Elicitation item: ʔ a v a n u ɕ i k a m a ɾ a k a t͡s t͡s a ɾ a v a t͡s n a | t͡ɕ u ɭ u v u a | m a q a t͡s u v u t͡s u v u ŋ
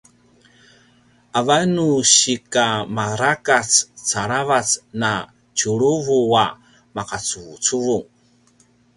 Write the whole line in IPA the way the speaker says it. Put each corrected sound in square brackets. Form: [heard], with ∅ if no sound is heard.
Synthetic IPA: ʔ a v a n u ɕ i k a m a ɾ a k a t͡s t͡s a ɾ a v a t͡s n a | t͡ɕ u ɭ u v u a | m a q a t͡s u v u t͡s u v u ŋ

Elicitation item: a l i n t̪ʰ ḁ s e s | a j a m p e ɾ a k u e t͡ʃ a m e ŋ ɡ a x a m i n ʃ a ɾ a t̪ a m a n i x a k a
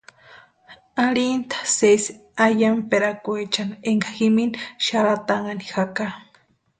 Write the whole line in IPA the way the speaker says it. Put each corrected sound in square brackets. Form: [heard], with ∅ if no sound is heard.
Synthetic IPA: a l i n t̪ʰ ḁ s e s | a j a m p e ɾ a k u e t͡ʃ a [n] e ŋ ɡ a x [i] m i n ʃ a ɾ a t̪ a [ŋ] a n i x a k a

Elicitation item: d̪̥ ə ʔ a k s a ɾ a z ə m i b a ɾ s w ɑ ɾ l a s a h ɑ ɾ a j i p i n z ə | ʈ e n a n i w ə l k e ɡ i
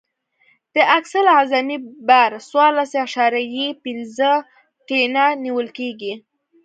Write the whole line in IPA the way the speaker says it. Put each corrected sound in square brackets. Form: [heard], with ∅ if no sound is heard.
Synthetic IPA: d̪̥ ə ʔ a k s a [l] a z [a] m i b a ɾ s w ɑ ɾ l a s a [ʃ] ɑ ɾ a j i p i n z ə | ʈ e n a n i w ə l k e ɡ i

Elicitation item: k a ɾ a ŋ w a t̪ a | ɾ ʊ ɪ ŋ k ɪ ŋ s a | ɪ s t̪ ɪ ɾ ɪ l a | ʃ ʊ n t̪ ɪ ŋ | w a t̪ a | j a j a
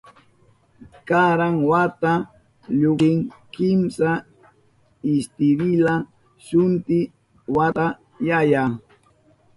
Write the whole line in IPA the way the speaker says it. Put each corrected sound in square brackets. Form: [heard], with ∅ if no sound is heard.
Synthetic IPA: k a ɾ a ŋ w a t̪ a | [ʎ] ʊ ɪ ŋ k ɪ [m] s a | ɪ s t̪ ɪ ɾ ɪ l a | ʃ ʊ n t̪ ɪ [∅] | w a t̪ a | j a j a

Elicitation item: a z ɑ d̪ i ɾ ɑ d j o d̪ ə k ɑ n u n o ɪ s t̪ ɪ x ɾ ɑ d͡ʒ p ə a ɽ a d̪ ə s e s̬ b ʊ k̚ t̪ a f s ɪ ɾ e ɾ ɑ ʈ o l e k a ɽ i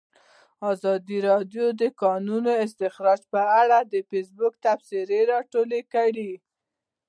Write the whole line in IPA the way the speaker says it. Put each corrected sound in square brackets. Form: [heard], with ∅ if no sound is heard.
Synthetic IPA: [ɑ] z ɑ d̪ i ɾ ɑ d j o d̪ ə k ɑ n u n o ɪ s t̪ ɪ x ɾ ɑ d͡ʒ p ə a ɽ a d̪ ə [f] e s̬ b ʊ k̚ t̪ a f s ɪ ɾ e ɾ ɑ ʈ o l e k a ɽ i

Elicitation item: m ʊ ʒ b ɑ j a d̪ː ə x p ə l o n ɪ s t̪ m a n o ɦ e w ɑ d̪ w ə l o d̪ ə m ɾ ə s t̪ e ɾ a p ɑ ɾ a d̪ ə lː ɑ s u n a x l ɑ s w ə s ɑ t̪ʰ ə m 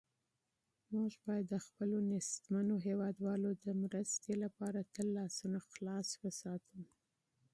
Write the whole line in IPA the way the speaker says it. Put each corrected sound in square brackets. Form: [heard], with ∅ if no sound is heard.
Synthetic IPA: m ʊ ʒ b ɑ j a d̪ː ə x p ə l o n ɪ s t̪ m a n o ɦ e w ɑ d̪ w [ɑ] l o d̪ ə m ɾ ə s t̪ e [l] a p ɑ ɾ a [t̪] ə lː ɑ s u n a x l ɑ s w ə s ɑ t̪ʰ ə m

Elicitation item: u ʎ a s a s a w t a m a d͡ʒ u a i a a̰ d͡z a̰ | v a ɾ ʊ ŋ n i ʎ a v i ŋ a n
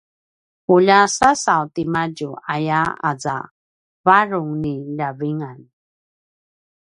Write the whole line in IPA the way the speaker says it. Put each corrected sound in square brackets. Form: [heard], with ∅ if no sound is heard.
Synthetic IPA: u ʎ a s a s a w t [i] m a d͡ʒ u a [j] a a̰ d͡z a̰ | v a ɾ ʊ ŋ n i ʎ a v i ŋ a n

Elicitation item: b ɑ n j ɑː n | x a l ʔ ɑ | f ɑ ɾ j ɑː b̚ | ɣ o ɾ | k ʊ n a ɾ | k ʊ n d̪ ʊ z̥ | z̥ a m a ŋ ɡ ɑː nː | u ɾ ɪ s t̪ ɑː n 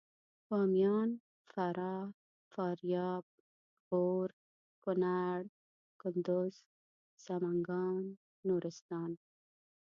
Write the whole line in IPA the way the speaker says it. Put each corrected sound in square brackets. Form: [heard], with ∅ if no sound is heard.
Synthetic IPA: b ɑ [m] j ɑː n | [f] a [ɾ] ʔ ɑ | f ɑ ɾ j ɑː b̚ | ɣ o ɾ | k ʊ n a [ɽ] | k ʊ n d̪ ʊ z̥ | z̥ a m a ŋ ɡ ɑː nː | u ɾ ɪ s t̪ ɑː n

